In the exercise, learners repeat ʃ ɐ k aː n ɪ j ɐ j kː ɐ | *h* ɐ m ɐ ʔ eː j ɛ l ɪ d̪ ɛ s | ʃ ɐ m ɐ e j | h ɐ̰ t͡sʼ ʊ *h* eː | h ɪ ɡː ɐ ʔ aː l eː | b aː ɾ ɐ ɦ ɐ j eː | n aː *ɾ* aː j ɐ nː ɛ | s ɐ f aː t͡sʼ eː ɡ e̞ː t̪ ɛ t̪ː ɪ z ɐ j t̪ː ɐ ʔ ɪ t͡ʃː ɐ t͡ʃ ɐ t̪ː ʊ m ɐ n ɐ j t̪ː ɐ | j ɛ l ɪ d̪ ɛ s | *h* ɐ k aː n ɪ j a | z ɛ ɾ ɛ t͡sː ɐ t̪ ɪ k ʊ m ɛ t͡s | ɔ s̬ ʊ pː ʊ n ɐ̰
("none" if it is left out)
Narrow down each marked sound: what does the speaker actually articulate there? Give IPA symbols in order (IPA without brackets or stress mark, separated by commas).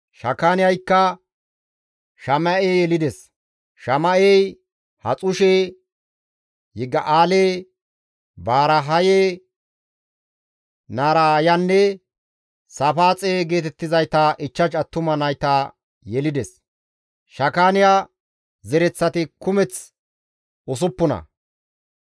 ʃ, ʃ, ɾ, ʃ